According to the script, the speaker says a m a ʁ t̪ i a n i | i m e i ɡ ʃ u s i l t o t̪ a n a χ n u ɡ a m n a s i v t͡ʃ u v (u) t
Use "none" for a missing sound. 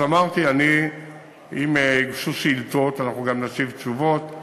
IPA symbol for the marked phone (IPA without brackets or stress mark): o